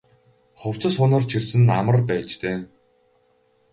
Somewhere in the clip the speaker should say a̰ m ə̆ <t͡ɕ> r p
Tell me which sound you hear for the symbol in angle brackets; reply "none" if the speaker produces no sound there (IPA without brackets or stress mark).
none